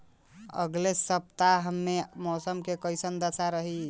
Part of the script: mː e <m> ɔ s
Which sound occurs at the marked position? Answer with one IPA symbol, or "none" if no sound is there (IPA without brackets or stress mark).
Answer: m